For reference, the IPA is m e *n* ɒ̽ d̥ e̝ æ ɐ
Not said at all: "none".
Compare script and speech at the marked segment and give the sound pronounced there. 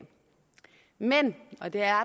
n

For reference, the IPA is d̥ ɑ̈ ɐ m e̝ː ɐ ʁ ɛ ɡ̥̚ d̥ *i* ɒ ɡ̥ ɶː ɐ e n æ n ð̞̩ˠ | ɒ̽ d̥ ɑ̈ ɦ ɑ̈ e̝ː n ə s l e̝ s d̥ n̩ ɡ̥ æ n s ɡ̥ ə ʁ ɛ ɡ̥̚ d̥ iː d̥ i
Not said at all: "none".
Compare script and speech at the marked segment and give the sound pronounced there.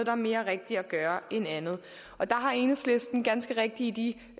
i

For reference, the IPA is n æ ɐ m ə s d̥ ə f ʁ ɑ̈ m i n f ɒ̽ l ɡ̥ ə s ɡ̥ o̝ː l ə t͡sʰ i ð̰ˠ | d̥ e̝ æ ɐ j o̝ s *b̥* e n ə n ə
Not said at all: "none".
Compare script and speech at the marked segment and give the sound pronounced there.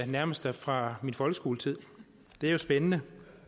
b̥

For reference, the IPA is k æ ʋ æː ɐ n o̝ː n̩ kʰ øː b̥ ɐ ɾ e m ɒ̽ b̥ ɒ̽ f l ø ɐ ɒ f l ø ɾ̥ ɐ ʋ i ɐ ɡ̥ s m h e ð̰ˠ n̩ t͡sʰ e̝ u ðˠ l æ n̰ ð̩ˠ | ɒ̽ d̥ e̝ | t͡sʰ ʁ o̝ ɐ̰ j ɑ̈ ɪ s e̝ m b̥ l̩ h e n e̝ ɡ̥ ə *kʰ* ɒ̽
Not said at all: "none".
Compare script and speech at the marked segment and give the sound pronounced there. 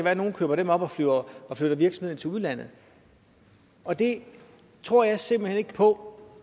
pʰ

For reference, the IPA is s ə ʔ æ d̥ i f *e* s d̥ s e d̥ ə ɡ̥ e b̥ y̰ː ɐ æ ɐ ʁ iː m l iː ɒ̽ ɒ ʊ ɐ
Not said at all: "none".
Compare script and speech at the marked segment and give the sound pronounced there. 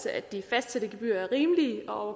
æ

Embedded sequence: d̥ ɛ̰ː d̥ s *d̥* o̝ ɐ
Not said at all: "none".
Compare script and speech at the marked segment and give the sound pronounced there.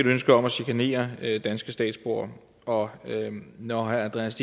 b̥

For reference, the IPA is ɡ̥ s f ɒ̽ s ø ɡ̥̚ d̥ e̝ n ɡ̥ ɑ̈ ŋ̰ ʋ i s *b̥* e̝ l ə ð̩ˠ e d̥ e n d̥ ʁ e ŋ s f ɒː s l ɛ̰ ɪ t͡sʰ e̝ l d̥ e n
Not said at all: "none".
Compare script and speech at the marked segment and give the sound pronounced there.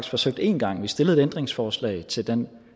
d̥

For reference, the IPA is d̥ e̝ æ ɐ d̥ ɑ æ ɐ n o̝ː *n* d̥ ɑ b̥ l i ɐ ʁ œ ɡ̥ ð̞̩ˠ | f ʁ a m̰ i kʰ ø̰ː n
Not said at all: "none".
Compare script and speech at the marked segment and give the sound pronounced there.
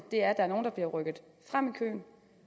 n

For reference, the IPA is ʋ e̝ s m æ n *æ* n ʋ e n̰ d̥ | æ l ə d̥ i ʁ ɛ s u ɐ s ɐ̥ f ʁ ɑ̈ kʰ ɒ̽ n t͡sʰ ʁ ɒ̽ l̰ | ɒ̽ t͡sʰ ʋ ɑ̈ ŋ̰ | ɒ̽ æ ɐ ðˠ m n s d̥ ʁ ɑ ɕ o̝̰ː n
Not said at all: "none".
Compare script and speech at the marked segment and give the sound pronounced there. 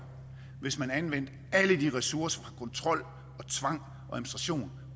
æ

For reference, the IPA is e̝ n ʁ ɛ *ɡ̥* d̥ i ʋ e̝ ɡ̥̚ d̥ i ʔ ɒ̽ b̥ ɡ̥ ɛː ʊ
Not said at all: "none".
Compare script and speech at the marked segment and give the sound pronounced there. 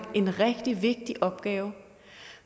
ɡ̥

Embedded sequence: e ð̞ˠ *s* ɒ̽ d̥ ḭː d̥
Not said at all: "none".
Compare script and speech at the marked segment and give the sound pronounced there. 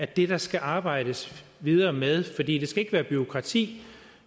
f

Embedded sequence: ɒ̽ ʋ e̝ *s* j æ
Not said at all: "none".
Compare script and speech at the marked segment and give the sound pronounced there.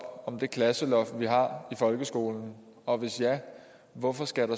s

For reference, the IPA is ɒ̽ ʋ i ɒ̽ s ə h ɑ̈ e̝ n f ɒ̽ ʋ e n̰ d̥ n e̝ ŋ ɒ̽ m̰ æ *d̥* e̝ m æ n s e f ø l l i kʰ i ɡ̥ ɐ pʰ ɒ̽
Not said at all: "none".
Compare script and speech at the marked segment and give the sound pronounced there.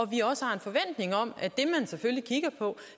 d̥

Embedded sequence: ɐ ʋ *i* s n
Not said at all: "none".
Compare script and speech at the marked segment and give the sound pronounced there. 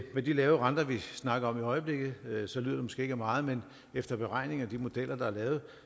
i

